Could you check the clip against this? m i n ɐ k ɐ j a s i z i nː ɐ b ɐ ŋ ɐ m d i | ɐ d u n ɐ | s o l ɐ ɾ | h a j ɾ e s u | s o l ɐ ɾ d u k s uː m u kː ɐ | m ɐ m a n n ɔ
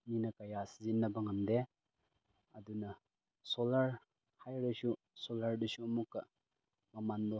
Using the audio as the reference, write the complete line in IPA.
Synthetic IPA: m i n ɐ k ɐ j a s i z i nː ɐ b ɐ ŋ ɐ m d e | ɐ d u n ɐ | s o l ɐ ɾ | h a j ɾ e s u | s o l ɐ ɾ d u s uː m u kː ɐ | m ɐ m a n d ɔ